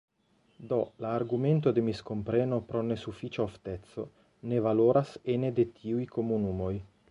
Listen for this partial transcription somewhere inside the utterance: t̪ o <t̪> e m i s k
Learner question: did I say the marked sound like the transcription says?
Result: no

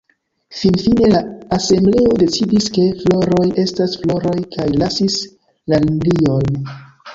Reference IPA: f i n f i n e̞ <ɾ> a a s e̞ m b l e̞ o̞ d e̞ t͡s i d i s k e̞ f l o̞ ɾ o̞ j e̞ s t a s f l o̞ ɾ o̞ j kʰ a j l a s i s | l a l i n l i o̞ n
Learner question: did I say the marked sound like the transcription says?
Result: no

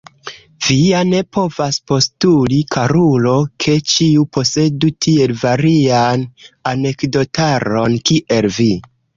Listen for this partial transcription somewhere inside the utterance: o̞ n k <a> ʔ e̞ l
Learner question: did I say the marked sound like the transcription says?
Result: no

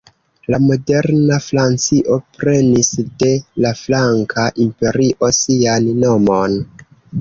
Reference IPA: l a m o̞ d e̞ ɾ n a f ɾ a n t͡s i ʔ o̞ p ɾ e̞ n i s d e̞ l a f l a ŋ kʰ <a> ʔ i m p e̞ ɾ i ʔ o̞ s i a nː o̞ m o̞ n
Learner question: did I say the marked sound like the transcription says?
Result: yes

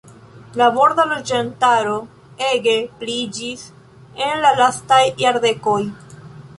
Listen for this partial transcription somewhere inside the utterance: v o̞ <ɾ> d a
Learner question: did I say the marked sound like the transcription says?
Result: yes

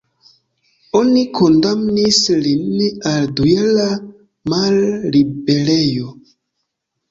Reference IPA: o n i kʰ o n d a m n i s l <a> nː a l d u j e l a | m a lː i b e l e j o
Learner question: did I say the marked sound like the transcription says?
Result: no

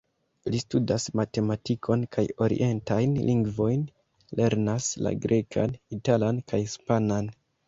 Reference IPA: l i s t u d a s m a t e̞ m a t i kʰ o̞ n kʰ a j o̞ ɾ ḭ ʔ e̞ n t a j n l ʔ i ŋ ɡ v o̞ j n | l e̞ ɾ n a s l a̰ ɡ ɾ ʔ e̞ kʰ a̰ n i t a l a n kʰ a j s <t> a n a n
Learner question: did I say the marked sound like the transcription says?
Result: no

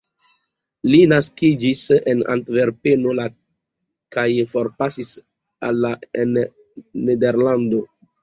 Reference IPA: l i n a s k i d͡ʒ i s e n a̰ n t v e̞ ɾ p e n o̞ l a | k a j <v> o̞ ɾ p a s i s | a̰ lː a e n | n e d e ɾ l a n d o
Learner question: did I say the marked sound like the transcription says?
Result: no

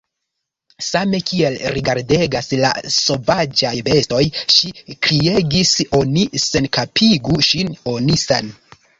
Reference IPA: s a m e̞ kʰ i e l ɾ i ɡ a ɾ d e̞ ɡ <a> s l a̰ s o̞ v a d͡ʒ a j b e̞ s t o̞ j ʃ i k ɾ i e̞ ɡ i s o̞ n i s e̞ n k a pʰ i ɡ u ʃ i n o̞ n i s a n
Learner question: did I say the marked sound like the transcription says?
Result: yes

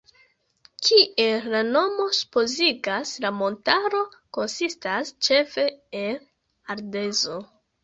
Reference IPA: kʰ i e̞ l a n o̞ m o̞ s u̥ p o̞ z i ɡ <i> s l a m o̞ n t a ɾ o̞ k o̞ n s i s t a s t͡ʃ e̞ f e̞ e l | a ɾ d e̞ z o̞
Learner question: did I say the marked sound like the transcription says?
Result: no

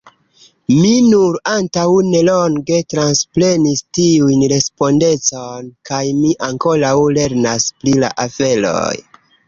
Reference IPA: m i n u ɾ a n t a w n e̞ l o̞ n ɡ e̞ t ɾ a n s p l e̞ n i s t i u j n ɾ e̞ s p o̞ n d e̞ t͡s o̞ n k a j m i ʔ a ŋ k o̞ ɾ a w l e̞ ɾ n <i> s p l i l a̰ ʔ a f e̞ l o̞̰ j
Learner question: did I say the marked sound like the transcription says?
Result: no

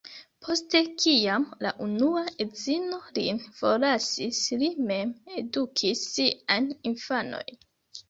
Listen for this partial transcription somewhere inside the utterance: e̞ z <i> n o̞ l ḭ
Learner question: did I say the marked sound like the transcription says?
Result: yes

